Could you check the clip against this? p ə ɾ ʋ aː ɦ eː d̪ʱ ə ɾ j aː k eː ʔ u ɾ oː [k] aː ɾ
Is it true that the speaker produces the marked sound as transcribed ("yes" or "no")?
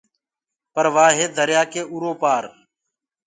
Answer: no